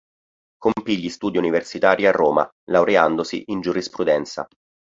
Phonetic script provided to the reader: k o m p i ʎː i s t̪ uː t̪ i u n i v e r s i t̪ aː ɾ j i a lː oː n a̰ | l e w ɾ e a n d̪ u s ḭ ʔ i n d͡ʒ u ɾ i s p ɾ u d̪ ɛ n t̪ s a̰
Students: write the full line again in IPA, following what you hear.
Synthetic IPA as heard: k o m p i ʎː i s t̪ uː d̪ i u n i v e r s i t̪ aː ɾ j i a rː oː m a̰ | l a w ɾ e a n d̪ o s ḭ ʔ i n d͡ʒ u ɾ i s p ɾ u d̪ ɛ n t̪ s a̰